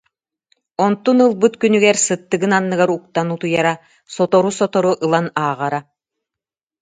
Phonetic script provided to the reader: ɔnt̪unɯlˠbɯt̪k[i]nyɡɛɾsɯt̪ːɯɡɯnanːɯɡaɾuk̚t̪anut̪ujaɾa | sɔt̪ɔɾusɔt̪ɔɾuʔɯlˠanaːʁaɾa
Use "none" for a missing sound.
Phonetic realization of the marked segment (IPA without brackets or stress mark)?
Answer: y